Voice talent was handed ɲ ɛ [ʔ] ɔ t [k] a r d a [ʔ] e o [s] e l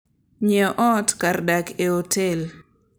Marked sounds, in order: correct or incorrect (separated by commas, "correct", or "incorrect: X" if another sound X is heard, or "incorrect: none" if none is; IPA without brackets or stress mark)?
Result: correct, correct, incorrect: k, incorrect: t